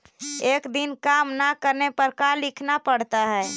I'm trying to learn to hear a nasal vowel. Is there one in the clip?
no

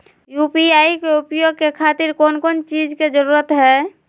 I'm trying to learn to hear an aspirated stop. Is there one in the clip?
yes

